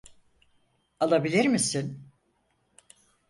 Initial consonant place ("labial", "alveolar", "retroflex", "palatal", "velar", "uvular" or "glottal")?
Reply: alveolar